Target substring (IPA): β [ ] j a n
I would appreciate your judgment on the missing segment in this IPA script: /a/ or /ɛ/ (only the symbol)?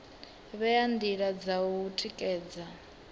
ɛ